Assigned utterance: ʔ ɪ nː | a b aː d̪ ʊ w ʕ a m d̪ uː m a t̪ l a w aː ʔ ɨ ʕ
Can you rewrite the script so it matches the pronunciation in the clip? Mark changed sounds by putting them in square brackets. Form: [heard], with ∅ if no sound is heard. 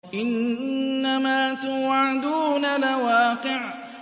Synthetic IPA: ʔ ɪ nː | a [m] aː [t̪] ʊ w ʕ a [∅] d̪ uː [n] a [∅] l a w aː [q] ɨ ʕ